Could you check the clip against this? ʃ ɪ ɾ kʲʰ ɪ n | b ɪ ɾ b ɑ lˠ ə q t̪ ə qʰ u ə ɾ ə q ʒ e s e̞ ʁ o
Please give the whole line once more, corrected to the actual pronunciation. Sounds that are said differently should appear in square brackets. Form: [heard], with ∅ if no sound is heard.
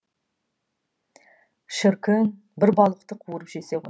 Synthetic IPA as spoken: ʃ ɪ ɾ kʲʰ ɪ n | b ɪ ɾ b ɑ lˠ ə q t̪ ə qʰ u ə ɾ ə [p] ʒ e s e̞ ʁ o